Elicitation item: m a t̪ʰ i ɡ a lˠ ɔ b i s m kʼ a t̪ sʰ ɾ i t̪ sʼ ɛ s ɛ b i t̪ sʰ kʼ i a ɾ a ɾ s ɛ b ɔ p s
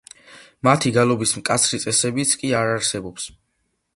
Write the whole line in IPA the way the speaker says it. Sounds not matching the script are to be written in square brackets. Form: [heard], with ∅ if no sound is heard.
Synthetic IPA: m a t̪ʰ i ɡ a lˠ ɔ b i s m kʼ a t̪ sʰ ɾ i t̪ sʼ ɛ s ɛ b i t̪ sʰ kʼ i a ɾ a ɾ s ɛ b ɔ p s